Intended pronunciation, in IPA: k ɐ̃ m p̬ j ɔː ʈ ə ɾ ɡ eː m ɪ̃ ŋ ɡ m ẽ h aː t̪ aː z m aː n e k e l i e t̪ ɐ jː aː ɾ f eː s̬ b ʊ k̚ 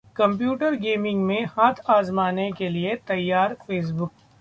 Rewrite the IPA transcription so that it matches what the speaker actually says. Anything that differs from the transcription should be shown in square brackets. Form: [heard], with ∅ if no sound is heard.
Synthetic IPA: k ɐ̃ m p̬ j [uː] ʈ ə ɾ ɡ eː m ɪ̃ ŋ ɡ m ẽ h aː [t̪ʰ] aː z m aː n e k e l i e t̪ ɐ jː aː ɾ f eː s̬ b ʊ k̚